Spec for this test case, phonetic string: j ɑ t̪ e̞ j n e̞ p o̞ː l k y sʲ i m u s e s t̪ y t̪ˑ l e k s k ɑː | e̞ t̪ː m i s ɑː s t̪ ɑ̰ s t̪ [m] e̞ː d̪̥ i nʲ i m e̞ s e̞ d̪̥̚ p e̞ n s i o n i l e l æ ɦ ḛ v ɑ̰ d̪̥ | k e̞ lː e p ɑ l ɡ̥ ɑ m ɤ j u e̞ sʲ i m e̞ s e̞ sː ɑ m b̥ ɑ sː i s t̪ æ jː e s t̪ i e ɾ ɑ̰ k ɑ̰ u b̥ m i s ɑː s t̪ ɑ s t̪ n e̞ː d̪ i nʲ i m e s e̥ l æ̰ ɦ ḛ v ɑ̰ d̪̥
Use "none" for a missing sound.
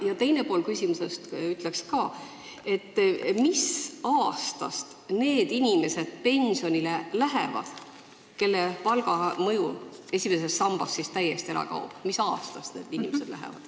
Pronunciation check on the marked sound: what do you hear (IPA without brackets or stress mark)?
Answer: n